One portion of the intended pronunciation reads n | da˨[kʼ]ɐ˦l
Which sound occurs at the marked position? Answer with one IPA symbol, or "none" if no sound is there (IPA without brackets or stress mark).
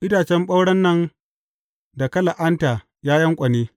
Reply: k